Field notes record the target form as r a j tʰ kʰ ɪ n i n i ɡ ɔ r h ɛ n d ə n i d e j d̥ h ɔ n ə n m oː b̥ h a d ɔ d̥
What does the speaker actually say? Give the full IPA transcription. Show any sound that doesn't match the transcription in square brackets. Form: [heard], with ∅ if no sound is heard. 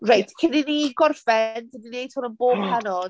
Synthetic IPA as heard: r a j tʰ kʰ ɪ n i n i ɡ ɔ r [f] ɛ n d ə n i [n] e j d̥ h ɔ n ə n [b] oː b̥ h a [n] ɔ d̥